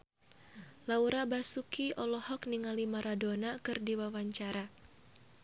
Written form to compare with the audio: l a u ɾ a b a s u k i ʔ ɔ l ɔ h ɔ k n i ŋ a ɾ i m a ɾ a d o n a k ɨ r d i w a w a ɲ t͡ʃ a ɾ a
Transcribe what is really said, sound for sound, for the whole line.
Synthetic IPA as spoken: l a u ɾ a b a s u k i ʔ ɔ l ɔ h ɔ k n i ŋ a l i m a ɾ a d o n a k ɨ r d i w a w a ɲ t͡ʃ a ɾ a